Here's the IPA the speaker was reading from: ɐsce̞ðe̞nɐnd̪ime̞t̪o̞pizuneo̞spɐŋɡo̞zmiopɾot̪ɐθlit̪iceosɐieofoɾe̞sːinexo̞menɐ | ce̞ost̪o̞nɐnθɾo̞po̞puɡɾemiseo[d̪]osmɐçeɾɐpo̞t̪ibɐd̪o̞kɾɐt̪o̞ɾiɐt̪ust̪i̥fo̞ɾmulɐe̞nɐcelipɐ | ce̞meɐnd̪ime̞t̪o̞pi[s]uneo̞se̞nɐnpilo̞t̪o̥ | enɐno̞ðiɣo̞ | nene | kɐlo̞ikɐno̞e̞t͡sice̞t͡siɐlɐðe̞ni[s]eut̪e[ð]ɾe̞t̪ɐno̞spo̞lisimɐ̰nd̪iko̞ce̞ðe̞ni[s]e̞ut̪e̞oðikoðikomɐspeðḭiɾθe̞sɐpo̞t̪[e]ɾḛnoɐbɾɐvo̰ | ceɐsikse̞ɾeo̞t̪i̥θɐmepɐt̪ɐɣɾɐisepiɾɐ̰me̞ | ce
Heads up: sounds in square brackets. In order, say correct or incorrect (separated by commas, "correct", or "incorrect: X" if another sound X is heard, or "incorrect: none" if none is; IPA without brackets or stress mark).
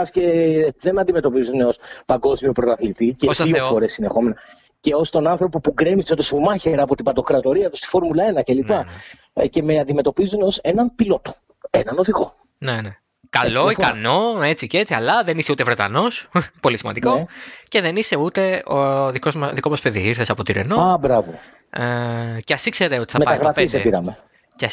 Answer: incorrect: t̪, incorrect: z, correct, incorrect: v, correct, incorrect: i